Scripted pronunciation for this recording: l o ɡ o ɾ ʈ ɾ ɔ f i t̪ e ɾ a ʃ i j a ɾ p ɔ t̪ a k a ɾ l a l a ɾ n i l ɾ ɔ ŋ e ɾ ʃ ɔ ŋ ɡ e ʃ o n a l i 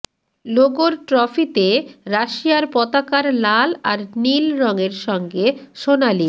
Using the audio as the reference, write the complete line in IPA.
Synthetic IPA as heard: l o ɡ o ɾ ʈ ɾ ɔ f i t̪ e ɾ a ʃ i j a ɾ p ɔ t̪ a k a ɾ l a l a ɾ n i l ɾ ɔ ŋ e ɾ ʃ ɔ ŋ ɡ e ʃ o n a l i